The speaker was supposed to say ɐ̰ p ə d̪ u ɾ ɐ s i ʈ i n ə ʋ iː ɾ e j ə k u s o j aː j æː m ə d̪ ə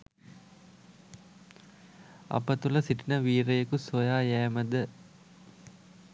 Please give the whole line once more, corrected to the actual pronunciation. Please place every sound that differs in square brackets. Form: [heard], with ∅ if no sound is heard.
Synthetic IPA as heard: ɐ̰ p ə [t̪] u [l] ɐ s i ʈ i n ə ʋ iː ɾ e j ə k u s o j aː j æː m ə d̪ ə